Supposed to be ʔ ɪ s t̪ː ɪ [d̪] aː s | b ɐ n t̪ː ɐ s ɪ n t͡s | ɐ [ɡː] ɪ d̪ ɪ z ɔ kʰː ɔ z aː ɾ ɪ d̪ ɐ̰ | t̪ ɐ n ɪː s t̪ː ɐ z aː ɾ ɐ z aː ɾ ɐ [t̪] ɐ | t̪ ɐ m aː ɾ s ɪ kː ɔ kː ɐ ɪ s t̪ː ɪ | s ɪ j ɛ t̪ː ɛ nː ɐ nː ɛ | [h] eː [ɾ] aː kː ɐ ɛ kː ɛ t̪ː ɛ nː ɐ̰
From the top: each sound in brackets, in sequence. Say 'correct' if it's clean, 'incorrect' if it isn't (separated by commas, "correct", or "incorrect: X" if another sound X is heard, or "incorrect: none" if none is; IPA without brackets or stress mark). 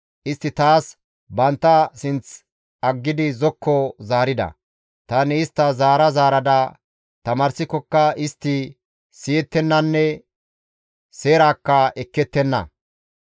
incorrect: t̪, correct, incorrect: d̪, incorrect: s, correct